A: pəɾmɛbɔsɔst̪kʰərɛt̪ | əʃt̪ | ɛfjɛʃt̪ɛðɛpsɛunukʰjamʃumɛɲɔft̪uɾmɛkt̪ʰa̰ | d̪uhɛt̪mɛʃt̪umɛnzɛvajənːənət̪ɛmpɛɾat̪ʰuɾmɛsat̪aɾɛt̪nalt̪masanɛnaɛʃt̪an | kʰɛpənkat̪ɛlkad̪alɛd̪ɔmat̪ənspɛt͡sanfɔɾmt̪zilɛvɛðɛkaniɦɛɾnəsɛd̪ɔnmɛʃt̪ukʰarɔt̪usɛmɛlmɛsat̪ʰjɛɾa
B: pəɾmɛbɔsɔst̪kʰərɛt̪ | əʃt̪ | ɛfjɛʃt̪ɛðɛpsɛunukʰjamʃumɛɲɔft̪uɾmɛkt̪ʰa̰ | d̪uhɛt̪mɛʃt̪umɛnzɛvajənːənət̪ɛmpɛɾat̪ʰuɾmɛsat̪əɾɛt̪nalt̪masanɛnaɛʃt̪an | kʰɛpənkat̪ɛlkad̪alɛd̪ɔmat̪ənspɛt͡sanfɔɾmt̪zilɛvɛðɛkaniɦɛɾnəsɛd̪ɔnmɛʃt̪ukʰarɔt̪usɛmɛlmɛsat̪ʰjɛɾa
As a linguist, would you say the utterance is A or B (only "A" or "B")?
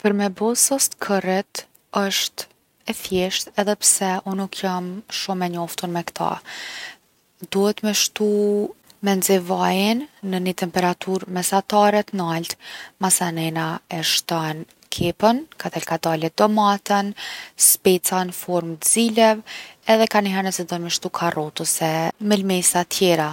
A